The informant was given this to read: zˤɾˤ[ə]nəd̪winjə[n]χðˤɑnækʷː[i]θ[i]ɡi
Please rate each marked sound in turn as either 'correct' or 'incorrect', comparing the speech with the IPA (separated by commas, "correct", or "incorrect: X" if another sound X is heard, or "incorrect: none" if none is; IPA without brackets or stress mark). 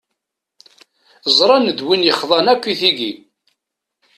incorrect: ɑ, incorrect: none, correct, correct